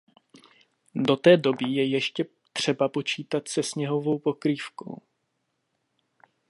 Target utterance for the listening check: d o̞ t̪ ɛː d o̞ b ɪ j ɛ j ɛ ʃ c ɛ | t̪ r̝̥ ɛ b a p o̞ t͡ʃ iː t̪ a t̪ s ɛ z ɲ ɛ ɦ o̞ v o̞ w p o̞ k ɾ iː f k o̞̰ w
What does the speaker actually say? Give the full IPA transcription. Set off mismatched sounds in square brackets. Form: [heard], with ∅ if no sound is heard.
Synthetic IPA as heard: d o̞ t̪ ɛː d o̞ b ɪ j ɛ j ɛ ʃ c ɛ | t̪ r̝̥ ɛ b a p o̞ t͡ʃ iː t̪ a t̪ s ɛ [s] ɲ ɛ ɦ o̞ v o̞ w p o̞ k ɾ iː f k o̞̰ w